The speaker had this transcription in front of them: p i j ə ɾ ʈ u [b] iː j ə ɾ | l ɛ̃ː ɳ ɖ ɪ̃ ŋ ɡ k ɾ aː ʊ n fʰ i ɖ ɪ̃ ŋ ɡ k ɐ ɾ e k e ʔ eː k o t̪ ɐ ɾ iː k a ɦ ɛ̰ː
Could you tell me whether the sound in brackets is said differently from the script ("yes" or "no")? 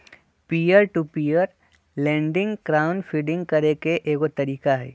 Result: yes